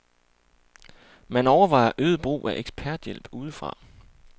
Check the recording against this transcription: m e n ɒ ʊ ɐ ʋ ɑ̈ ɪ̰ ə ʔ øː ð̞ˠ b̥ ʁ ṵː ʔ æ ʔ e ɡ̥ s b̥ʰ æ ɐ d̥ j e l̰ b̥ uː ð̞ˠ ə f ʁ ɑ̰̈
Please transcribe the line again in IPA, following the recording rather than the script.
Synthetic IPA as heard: m æ n ɒ ʊ ɐ ʋ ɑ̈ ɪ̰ ɐ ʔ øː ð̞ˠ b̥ ʁ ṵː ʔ æ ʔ e ɡ̥ s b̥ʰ æ ɐ d̥ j e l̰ b̥ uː ð̞ˠ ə f ʁ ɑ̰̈